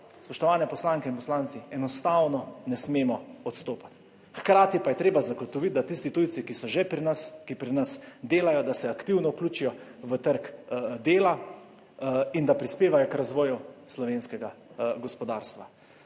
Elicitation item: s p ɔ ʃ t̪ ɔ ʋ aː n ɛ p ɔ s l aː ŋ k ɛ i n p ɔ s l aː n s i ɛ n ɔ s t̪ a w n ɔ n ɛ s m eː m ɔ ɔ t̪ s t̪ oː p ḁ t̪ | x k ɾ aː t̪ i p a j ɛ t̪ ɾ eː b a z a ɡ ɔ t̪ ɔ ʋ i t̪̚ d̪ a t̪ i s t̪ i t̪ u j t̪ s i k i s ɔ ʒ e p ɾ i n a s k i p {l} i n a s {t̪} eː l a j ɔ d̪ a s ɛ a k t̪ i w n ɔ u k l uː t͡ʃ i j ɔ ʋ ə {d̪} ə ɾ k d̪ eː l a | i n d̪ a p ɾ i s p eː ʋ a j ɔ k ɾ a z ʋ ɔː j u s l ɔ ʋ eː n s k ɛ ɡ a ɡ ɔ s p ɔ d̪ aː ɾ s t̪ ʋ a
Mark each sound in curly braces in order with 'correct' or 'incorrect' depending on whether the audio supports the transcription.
incorrect: ɾ, incorrect: d̪, incorrect: t̪

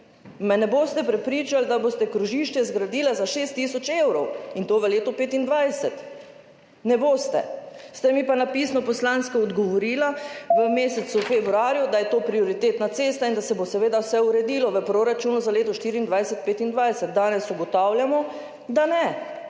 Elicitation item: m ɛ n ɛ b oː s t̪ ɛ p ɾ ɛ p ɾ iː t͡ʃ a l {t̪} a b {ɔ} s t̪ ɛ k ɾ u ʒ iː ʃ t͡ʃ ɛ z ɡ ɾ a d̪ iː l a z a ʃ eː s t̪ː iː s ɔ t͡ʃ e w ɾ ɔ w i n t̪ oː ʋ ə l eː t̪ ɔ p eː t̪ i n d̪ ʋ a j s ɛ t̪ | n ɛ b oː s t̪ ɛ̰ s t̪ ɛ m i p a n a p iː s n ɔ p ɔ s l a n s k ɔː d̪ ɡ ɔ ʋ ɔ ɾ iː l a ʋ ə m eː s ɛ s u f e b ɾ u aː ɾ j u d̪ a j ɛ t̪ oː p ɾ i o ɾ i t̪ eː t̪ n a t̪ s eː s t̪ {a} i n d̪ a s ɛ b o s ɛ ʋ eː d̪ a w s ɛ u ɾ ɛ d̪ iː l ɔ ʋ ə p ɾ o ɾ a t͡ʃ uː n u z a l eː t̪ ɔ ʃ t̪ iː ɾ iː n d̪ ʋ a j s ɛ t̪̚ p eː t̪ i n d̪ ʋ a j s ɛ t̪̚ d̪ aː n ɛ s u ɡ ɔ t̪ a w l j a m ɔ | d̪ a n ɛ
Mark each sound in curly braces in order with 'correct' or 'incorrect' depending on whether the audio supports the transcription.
incorrect: d̪, incorrect: o, correct

